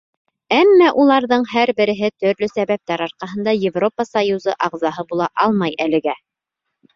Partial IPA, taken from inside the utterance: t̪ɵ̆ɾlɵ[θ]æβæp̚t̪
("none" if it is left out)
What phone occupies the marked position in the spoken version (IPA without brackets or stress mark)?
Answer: s